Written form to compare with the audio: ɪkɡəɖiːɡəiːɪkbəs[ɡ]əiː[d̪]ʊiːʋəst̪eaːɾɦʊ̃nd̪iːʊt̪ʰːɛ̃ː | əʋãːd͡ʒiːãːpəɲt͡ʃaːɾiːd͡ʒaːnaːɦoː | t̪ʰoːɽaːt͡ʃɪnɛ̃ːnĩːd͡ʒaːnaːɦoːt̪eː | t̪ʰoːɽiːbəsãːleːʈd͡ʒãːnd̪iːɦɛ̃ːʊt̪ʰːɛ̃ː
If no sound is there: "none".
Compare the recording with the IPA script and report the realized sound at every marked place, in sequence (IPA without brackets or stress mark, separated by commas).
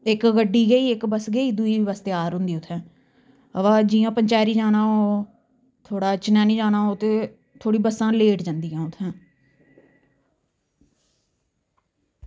ɡ, d̪